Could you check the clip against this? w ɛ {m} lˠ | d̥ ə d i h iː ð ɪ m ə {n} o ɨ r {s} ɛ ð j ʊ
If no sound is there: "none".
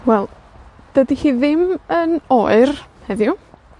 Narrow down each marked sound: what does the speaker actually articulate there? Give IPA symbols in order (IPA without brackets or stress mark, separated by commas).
none, n, h